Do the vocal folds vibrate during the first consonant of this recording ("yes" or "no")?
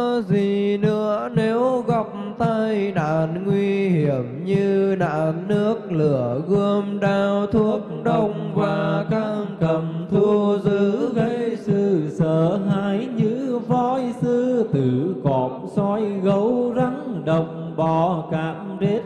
yes